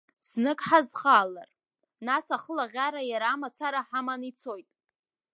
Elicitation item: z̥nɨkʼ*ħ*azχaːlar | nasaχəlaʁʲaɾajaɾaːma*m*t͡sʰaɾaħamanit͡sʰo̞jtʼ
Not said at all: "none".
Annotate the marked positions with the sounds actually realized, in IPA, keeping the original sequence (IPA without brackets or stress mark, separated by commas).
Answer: ħ, none